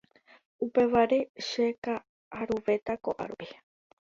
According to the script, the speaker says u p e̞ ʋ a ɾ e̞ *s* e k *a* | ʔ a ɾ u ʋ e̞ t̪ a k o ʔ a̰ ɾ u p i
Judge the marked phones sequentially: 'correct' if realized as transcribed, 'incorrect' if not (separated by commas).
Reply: incorrect, correct